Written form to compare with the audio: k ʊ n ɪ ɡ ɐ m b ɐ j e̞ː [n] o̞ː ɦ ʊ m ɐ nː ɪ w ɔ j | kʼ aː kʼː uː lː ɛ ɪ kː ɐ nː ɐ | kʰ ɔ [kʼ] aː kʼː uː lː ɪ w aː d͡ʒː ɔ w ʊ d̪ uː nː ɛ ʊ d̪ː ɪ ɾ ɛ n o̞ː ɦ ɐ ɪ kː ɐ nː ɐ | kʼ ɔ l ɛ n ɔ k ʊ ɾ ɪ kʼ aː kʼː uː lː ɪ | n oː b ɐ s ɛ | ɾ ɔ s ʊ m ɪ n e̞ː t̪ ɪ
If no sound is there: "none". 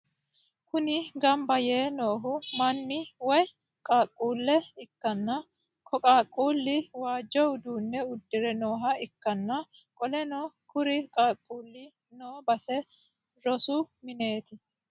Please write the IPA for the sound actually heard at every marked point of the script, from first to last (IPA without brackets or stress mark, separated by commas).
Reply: n, kʼ